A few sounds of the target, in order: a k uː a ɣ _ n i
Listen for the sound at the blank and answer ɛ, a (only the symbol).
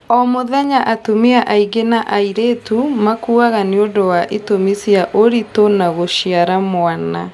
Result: a